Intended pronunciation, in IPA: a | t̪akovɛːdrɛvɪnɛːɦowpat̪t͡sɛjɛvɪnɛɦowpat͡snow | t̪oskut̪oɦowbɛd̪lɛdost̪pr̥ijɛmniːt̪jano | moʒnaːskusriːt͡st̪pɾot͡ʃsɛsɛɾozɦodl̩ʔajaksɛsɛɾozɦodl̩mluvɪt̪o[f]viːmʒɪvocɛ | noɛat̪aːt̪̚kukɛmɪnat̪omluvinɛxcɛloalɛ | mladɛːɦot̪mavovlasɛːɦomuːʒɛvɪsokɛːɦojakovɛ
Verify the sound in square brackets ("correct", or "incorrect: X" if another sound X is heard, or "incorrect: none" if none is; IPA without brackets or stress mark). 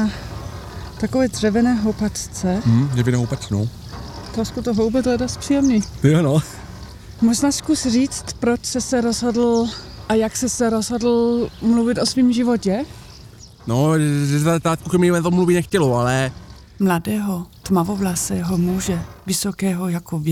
incorrect: s